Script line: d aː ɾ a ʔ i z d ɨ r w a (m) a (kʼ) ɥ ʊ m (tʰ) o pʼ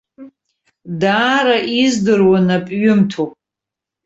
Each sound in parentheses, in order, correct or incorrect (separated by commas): incorrect, incorrect, correct